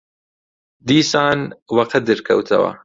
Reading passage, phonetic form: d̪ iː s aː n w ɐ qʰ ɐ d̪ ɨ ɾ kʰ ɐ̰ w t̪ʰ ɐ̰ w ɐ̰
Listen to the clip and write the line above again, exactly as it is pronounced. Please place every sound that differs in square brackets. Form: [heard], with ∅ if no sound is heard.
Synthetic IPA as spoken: d̪ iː s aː n w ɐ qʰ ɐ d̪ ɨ ɾ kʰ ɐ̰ w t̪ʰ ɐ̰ w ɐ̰